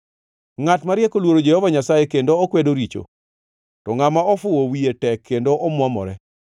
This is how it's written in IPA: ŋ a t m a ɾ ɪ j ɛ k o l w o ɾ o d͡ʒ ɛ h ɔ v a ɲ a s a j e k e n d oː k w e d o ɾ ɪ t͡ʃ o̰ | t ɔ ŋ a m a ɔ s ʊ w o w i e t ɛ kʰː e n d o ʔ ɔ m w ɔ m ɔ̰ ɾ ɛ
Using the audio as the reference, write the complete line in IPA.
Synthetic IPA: ŋ a t m a ɾ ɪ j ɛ k o l w o ɾ o d͡ʒ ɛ h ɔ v a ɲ a s a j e k e n d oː k w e d o ɾ i t͡ʃ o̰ | t ɔ ŋ a m a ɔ f ʊ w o w i e t ɛ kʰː e n d o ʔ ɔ m w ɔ m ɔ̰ ɾ ɛ